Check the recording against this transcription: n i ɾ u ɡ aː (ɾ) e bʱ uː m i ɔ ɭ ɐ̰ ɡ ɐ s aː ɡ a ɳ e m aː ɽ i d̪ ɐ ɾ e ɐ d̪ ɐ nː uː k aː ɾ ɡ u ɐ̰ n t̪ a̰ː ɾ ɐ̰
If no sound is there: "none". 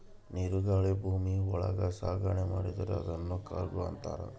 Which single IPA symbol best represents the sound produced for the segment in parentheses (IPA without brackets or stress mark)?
ɭ